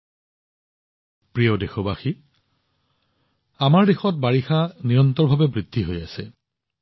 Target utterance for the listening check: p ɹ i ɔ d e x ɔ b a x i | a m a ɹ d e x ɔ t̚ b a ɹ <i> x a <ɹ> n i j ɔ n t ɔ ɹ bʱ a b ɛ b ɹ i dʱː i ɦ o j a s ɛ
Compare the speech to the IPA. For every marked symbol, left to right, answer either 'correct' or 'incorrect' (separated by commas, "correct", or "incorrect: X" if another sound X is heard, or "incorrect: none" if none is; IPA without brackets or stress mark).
correct, incorrect: none